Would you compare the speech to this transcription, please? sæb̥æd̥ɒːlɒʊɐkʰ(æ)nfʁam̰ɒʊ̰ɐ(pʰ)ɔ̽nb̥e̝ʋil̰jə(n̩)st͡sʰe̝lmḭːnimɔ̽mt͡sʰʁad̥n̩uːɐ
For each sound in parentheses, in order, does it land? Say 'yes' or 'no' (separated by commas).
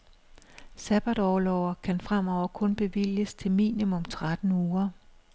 yes, no, no